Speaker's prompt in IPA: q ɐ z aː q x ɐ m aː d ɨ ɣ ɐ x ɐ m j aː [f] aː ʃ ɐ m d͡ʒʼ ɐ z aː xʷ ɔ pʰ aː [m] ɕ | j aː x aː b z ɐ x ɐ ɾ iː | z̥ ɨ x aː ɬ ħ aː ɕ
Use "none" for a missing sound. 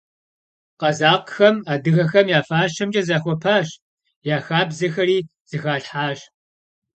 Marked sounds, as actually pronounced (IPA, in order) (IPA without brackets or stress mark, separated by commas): f, none